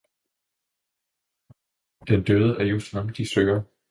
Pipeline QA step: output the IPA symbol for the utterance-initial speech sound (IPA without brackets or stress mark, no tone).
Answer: d̥